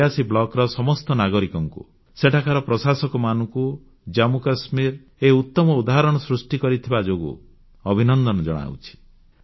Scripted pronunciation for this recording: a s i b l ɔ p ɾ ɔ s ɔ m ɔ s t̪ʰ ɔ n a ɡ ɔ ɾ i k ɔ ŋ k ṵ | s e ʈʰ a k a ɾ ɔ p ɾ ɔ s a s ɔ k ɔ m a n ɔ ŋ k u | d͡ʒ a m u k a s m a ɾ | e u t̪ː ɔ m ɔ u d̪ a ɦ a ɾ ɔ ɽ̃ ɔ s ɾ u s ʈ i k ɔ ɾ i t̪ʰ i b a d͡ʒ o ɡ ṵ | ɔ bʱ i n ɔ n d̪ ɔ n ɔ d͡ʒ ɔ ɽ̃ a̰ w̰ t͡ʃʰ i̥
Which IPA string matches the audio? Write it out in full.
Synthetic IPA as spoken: a s i b l ɔ k ɾ ɔ s ɔ m ɔ s t̪ ɔ n a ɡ ɔ ɾ i k ɔ ŋ k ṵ | s e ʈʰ a k a ɾ ɔ p ɾ ɔ s a s ɔ k ɔ m a n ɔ ŋ k u | d͡ʒ a m u k a s m i ɾ | e u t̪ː ɔ m ɔ u d̪ a ɦ a ɾ ɔ ɽ̃ ɔ s ɾ u s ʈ i k ɔ ɾ i t̪ʰ i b a d͡ʒ o ɡ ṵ | ɔ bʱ i n ɔ n d̪ ɔ n ɔ d͡ʒ ɔ ɽ̃ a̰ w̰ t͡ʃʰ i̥